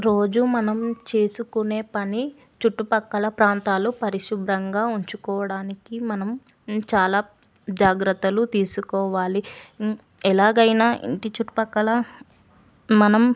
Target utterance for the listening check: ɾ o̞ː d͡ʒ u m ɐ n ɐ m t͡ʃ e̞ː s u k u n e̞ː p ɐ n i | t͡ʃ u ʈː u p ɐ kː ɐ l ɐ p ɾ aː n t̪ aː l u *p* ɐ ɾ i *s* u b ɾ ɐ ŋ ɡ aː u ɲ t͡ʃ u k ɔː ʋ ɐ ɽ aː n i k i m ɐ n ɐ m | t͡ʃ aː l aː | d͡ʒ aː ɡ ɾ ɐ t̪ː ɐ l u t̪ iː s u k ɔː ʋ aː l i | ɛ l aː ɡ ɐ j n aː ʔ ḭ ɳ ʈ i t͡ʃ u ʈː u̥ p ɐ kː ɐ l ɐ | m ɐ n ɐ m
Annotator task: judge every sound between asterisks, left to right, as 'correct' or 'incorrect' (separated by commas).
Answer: correct, incorrect